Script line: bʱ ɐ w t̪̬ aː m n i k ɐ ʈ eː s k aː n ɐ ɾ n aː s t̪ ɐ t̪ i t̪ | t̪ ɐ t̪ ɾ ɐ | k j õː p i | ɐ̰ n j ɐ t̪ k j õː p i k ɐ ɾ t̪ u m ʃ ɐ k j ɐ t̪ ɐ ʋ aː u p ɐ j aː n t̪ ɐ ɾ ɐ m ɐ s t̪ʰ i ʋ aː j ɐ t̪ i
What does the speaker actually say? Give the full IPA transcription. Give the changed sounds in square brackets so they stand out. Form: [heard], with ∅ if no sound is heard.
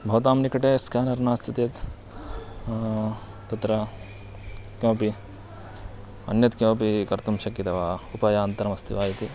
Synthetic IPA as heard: bʱ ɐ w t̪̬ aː m n i k ɐ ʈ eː s k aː n ɐ ɾ n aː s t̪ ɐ t̪ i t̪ | t̪ ɐ t̪ ɾ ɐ | k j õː p i | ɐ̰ n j ɐ t̪ k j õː p i k ɐ ɾ t̪ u m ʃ ɐ k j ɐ t̪ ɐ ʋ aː u p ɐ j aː n t̪ ɐ ɾ ɐ m ɐ s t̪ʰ i ʋ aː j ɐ t̪ i

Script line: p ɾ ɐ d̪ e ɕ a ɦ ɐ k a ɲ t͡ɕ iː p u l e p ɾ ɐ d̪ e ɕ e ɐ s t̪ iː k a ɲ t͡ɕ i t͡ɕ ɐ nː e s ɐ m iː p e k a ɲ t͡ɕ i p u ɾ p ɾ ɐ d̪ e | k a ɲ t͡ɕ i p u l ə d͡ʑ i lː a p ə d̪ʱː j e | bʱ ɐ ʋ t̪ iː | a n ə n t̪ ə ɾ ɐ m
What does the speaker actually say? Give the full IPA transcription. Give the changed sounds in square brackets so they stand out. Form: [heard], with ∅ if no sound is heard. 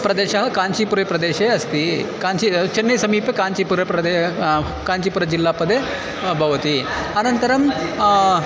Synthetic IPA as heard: p ɾ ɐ d̪ e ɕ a ɦ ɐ k a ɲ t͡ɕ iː p u [ɾ] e p ɾ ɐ d̪ e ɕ e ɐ s t̪ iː k a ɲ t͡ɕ i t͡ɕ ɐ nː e s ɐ m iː p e k a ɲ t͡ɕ i p u ɾ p ɾ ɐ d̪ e | k a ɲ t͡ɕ i p u [ɾ] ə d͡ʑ i lː a p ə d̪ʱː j e | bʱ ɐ ʋ t̪ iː | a n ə n t̪ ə ɾ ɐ m

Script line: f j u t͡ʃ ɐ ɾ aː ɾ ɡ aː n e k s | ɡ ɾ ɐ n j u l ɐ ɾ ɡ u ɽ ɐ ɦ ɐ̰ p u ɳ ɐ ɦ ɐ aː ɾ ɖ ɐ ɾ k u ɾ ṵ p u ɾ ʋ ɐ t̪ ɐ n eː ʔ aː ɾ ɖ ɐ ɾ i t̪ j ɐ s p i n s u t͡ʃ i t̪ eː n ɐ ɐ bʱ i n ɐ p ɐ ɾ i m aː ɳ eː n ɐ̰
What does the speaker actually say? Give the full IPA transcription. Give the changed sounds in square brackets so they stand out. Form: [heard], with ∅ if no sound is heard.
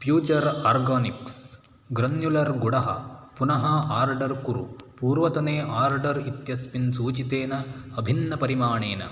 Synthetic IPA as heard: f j [uː] t͡ʃ ɐ ɾ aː ɾ ɡ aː n [i] k s | ɡ ɾ ɐ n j u l ɐ ɾ ɡ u ɽ ɐ ɦ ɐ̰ p u [n] ɐ ɦ ɐ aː ɾ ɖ ɐ ɾ k u ɾ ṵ p [uː] ɾ ʋ ɐ t̪ ɐ n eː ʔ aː ɾ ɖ ɐ ɾ i t̪ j ɐ s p i n s [uː] t͡ʃ i t̪ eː n ɐ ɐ bʱ i [nː] ɐ p ɐ ɾ i m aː ɳ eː n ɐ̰

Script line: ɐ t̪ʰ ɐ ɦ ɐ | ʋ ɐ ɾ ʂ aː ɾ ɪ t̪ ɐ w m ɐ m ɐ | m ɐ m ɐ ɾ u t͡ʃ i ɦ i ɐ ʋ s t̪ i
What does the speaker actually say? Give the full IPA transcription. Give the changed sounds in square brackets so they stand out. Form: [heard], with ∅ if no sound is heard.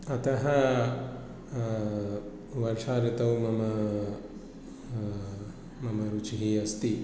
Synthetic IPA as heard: ɐ [t̪] ɐ ɦ ɐ | ʋ ɐ ɾ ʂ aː ɾ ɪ t̪ ɐ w m ɐ m ɐ | m ɐ m ɐ ɾ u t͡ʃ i ɦ i ɐ [∅] s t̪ i

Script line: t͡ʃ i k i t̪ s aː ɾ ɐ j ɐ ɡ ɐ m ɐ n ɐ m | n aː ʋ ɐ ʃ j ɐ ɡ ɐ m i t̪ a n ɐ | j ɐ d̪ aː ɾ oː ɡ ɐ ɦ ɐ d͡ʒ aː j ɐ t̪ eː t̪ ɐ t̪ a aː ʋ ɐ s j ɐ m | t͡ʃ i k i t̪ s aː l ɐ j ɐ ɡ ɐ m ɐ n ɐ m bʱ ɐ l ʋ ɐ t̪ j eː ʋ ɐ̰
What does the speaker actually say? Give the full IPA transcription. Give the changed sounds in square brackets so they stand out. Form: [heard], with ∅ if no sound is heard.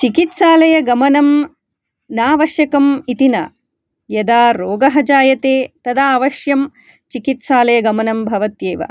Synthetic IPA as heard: t͡ʃ i k i t̪ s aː [l] ɐ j ɐ ɡ ɐ m ɐ n ɐ m | n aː ʋ ɐ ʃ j ɐ [k] ɐ m i t̪ [i] n ɐ | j ɐ d̪ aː ɾ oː ɡ ɐ ɦ ɐ d͡ʒ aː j ɐ t̪ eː t̪ ɐ [d̪] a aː ʋ ɐ [ʃ] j ɐ m | t͡ʃ i k i t̪ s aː l ɐ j ɐ ɡ ɐ m ɐ n ɐ m bʱ ɐ [∅] ʋ ɐ t̪ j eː ʋ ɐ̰

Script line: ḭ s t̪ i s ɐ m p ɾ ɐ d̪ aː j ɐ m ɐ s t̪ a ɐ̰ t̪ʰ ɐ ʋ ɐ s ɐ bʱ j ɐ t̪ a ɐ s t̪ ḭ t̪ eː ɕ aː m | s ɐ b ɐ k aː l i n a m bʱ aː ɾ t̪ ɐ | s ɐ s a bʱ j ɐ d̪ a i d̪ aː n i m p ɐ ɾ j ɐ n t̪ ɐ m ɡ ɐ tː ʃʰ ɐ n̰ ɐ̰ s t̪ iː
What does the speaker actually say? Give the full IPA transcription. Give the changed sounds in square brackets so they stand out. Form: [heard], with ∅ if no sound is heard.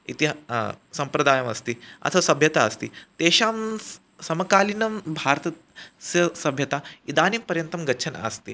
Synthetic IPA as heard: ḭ [∅] t̪ i s ɐ m p ɾ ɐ d̪ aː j ɐ m ɐ s t̪ [i] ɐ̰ t̪ʰ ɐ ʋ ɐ s ɐ bʱ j ɐ t̪ a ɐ s t̪ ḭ t̪ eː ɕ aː m | s ɐ [m] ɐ k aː l i n [ɐ] m bʱ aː ɾ t̪ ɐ | s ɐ s [ɐ] bʱ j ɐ [t̪] a i d̪ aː n i m p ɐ ɾ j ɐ n t̪ ɐ m ɡ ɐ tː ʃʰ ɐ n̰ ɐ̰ s t̪ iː

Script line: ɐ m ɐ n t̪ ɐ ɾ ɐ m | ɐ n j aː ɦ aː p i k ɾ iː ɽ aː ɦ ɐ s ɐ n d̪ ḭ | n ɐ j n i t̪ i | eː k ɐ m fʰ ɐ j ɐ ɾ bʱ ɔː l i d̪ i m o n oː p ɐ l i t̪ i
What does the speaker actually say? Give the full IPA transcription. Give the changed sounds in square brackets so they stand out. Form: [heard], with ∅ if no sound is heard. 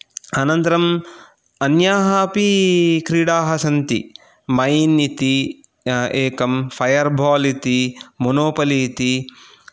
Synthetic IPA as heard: ɐ [n] ɐ n t̪ ɐ ɾ ɐ m | ɐ n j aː ɦ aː p i k ɾ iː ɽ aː ɦ ɐ s ɐ n [t̪] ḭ | [m] ɐ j n i t̪ i | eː k ɐ m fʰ ɐ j ɐ ɾ bʱ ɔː l i [t̪] i m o n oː p ɐ l i t̪ i

